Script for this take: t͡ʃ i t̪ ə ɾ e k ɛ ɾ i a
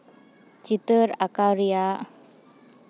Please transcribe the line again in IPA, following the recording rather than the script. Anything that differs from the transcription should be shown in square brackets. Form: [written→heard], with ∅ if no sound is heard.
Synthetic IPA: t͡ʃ i t̪ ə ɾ [e→a] k [ɛ→a] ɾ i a